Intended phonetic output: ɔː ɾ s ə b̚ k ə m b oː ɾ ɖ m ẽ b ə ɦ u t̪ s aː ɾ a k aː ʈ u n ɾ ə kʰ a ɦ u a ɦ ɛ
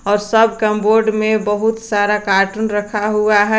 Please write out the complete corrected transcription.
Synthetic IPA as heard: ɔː ɾ s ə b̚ k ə m b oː ɾ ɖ m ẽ b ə ɦ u t̪ s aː ɾ a k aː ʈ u n ɾ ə kʰ a ɦ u a ɦ ɛ